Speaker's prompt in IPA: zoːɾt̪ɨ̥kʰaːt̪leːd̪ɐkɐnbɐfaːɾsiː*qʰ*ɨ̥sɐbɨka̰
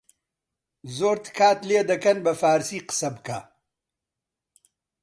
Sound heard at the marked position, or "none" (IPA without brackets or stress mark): q